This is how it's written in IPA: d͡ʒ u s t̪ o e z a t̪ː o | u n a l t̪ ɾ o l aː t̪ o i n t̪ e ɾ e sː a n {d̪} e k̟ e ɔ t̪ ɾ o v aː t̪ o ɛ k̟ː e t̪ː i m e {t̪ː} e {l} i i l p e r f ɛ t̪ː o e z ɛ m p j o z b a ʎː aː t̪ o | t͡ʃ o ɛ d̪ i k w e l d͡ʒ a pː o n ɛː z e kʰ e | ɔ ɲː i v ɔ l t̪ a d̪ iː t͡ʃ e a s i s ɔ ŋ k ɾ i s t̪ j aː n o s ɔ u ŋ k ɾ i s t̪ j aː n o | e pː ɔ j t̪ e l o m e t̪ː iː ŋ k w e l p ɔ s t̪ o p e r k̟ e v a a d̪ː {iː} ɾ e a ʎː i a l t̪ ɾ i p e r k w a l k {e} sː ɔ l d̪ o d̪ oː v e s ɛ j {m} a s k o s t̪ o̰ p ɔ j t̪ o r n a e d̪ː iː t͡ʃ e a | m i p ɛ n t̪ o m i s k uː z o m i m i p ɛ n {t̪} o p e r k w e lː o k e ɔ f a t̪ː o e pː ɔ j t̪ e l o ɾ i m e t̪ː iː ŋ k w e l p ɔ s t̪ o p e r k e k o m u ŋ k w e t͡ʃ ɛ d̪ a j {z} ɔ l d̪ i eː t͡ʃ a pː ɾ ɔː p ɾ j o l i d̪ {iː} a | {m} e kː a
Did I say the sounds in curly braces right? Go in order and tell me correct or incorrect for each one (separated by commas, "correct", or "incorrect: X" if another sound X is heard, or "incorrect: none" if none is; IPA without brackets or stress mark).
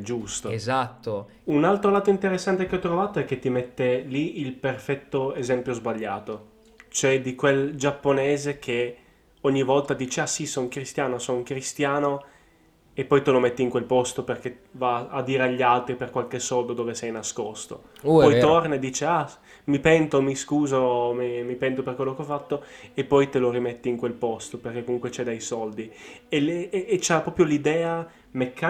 incorrect: t̪, correct, correct, correct, correct, incorrect: n, correct, incorrect: s, incorrect: ɛː, correct